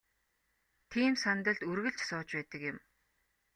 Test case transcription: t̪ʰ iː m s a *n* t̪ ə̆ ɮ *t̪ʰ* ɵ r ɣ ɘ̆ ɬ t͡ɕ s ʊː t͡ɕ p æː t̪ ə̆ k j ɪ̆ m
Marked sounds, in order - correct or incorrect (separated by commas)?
correct, incorrect